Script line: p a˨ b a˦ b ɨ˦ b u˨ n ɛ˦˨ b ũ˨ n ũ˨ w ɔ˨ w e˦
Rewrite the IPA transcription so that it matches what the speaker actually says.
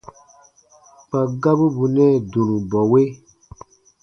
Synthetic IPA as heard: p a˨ ɡ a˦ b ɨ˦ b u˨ n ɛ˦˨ d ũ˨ n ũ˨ b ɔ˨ w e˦